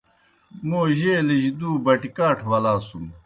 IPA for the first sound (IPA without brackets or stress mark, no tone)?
m